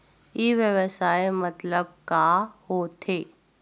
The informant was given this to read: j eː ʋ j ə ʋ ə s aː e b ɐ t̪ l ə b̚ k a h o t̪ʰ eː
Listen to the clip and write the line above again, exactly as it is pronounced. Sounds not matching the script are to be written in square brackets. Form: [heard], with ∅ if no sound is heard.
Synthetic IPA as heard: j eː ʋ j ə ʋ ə s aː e [m] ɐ t̪ l ə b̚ k a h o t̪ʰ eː

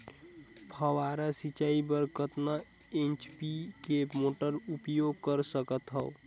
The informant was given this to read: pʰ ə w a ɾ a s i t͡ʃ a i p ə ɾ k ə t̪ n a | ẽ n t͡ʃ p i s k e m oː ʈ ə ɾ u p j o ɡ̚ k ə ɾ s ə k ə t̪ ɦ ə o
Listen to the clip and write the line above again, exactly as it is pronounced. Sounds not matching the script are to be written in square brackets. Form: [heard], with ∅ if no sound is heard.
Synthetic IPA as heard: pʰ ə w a ɾ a s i t͡ʃ a i [b] ə ɾ k ə t̪ n a | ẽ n t͡ʃ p i [∅] k e m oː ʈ ə ɾ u p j o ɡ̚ k ə ɾ s ə k ə t̪ ɦ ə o

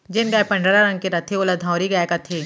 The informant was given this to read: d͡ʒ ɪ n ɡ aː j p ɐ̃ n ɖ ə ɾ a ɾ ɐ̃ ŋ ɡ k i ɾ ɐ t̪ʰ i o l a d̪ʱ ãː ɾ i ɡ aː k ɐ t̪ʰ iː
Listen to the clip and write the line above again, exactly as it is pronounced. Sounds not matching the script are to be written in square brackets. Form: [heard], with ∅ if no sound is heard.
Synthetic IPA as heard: d͡ʒ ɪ n ɡ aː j p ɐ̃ [ɳ] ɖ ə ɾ a ɾ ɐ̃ ŋ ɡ k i ɾ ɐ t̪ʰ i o l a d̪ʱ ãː ɾ i ɡ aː k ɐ t̪ʰ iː

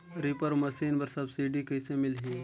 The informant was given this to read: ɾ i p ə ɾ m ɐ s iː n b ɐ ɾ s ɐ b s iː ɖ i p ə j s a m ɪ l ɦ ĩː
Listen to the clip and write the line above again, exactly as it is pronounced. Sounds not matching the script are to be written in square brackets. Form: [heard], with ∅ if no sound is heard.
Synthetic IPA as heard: ɾ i p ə ɾ m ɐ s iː n b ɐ ɾ s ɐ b s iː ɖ i [k] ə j s [e] m ɪ l ɦ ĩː

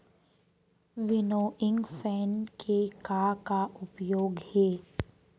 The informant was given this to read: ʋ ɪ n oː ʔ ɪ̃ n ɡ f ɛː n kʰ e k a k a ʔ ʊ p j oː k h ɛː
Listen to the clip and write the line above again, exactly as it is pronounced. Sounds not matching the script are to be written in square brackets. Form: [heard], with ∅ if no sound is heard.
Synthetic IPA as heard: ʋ ɪ n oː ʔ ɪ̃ [ŋ] ɡ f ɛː n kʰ e k a k a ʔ ʊ p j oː [ɡ] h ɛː

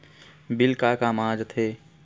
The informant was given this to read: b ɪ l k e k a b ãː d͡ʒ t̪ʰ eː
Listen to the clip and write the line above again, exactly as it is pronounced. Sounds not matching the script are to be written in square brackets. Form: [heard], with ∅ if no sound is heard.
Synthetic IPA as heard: b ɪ l k [a] k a [m] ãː d͡ʒ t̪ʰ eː

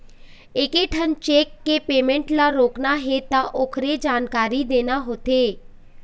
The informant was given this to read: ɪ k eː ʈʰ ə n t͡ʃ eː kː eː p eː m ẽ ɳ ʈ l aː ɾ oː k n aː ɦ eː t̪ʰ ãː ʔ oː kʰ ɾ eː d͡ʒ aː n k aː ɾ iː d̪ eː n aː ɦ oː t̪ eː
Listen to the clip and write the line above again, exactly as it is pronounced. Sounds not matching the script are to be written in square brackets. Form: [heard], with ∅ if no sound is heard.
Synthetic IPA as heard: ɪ k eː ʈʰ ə n t͡ʃ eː kː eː p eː m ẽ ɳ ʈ l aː ɾ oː k n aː ɦ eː [t̪] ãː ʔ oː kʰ ɾ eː d͡ʒ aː n k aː ɾ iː d̪ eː n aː ɦ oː t̪ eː

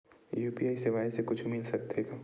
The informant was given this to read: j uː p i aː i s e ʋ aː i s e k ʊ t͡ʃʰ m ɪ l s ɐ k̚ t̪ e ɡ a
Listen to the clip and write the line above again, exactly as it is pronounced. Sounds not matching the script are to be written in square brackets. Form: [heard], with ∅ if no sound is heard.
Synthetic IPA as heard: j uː p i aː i s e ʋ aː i s e k ʊ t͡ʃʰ m ɪ l s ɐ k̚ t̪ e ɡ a

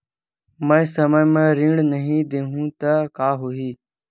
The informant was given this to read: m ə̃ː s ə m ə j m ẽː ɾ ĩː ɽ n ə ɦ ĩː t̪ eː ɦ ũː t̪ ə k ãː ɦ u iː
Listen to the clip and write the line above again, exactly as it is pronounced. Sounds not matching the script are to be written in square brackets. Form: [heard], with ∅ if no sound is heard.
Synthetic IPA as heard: m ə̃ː s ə m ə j m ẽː ɾ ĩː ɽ n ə ɦ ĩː [d̪] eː ɦ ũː t̪ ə k [aː] ɦ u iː

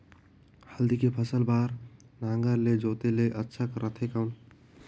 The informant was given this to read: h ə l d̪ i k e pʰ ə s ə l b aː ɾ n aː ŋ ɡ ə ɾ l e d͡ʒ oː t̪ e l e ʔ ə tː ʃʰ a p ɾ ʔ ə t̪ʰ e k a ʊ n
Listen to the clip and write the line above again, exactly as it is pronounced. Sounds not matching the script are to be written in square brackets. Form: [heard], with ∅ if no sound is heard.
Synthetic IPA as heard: h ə l d̪ i k e pʰ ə s ə l b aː ɾ n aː ŋ ɡ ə ɾ l e d͡ʒ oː t̪ e l e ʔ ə tː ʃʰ a [k] ɾ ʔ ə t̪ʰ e k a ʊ n

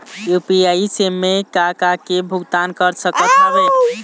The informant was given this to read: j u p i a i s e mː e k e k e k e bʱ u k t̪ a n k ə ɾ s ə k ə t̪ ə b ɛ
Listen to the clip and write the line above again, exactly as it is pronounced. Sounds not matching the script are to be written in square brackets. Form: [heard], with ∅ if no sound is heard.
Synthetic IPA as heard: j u p i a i s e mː e k [a] k [a] k e bʱ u [ɡ] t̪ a n k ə ɾ s ə k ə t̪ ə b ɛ

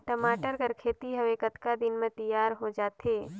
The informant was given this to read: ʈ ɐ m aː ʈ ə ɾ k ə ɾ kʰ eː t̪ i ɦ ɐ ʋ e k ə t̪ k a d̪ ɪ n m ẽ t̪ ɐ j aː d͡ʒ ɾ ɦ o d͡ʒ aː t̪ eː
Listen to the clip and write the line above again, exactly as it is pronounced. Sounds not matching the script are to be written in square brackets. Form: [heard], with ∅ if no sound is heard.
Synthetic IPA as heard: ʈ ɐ m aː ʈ ə ɾ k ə ɾ kʰ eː t̪ i ɦ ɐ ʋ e k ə t̪ k a d̪ ɪ n m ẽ t̪ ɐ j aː [∅] ɾ ɦ o d͡ʒ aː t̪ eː

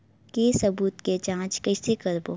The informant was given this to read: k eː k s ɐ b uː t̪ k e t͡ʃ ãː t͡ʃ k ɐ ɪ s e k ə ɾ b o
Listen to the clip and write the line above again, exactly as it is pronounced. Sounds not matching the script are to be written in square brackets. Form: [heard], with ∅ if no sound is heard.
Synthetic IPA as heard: k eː [∅] s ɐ b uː t̪ k e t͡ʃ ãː t͡ʃ k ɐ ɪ s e k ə ɾ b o

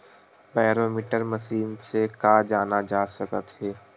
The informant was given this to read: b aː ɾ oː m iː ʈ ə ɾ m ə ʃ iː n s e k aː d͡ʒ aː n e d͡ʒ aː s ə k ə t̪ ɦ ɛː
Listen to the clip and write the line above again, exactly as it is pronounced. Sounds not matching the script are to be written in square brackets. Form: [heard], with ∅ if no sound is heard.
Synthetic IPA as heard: b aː ɾ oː m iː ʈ ə ɾ m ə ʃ iː n s e k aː d͡ʒ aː n [a] d͡ʒ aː s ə k ə t̪ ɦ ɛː

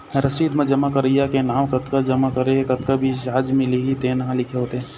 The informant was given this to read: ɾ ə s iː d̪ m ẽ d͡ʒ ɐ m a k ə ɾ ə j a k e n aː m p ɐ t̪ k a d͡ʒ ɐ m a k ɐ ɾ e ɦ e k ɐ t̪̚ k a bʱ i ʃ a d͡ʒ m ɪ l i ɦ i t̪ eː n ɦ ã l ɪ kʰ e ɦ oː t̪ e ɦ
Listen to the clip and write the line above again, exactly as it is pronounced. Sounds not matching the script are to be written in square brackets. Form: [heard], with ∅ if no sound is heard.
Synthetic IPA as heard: ɾ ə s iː d̪ m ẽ d͡ʒ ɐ m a k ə ɾ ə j a k e n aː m [k] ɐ t̪ k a d͡ʒ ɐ m a k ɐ ɾ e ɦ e k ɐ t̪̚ k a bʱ i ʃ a d͡ʒ m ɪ l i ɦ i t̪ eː n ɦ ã l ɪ kʰ e ɦ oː t̪ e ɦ

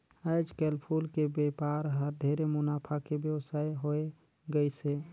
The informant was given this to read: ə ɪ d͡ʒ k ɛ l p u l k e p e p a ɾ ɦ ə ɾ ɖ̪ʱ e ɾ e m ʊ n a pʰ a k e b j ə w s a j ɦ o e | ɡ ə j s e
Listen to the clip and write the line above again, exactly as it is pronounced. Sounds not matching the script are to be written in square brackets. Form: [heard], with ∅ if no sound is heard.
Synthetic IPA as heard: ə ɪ d͡ʒ k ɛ l [pʰ] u l k e [b] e p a ɾ ɦ ə ɾ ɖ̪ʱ e ɾ e m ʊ n a pʰ a k e b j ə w s a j ɦ o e | ɡ ə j s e

